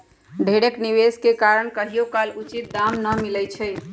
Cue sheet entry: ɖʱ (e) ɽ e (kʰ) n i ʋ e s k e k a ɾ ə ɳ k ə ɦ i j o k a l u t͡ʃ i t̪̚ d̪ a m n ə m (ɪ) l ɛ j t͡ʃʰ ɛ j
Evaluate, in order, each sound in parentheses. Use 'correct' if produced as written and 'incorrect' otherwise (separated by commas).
correct, incorrect, incorrect